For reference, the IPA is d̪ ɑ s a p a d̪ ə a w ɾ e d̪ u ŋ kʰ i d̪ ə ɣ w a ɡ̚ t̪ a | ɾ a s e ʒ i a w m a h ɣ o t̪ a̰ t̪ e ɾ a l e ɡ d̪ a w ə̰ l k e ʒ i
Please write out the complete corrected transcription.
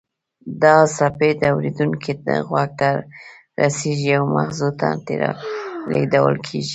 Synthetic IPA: d̪ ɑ s a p e d̪ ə a w ɾ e d̪ u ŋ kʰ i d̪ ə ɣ w a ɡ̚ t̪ a | ɾ a s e ʒ i a w m a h z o t̪ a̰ t̪ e ɾ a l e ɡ d̪ a w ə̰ l kʰ e ʒ i